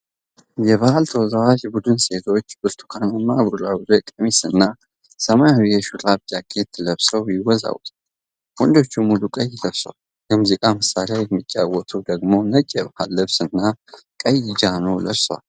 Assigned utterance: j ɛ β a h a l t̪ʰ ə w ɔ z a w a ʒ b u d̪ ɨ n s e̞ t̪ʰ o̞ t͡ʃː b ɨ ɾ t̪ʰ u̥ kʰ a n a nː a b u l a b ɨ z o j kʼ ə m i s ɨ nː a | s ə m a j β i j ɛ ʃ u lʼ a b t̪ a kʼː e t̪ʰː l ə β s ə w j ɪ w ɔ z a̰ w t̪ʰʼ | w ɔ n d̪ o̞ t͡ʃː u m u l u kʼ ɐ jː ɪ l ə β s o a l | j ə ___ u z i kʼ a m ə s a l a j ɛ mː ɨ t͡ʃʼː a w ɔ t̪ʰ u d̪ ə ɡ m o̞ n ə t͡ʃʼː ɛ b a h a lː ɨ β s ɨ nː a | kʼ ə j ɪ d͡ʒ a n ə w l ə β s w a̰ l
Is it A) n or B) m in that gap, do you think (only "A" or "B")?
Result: B